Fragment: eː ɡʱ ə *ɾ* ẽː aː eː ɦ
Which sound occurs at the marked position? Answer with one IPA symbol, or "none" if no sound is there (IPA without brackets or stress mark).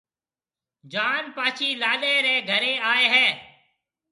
ɾ